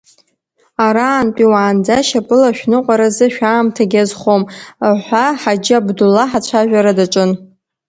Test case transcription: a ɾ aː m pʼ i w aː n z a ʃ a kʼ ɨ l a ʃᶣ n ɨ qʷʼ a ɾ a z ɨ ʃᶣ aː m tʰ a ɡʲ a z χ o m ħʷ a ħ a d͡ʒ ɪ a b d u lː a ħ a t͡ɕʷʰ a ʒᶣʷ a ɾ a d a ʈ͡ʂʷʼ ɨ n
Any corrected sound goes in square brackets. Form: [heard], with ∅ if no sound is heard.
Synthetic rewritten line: a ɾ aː [n] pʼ i w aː n [d͡z] a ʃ a [pʼ] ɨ l a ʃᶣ n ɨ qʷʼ a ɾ a z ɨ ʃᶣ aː m tʰ a ɡʲ a z χ o m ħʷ a ħ a d͡ʒ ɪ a b d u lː a ħ a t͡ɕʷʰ a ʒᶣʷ a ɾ a d a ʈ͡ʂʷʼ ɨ n